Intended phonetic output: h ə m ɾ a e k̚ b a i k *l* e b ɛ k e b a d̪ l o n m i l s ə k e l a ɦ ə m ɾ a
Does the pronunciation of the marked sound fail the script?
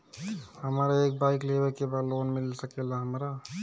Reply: no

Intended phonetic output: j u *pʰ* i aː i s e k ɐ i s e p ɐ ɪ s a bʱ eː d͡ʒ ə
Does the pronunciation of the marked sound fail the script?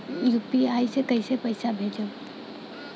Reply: yes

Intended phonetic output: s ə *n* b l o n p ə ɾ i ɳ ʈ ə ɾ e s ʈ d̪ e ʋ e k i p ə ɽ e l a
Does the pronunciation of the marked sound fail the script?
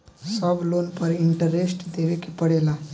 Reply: yes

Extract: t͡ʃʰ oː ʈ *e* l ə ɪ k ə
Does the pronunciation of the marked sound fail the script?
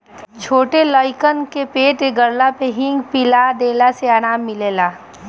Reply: no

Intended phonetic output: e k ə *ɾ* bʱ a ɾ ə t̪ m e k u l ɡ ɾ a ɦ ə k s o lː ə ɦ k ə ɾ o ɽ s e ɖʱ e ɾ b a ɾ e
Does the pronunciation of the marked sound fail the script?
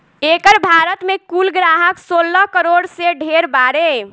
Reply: no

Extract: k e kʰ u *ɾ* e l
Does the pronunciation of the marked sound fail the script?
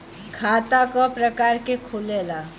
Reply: yes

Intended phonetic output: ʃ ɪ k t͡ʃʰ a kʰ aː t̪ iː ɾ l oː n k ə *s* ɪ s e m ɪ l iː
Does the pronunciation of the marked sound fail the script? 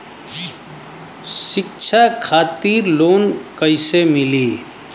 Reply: yes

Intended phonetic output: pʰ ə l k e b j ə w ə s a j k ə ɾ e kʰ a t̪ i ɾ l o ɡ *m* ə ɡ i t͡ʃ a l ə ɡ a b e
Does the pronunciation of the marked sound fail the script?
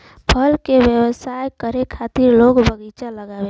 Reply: yes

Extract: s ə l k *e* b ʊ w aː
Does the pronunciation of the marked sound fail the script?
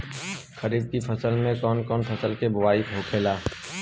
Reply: no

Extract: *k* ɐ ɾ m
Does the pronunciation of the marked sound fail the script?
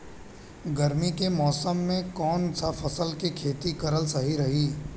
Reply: yes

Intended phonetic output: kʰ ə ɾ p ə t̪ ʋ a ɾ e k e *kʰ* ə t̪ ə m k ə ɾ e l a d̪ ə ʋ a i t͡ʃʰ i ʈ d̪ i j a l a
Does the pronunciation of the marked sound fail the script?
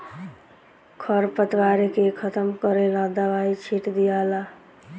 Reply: no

